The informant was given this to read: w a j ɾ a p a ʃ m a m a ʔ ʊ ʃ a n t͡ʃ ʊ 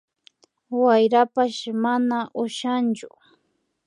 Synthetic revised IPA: w a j ɾ a p a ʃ m a n a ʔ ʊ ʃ a n t͡ʃ ʊ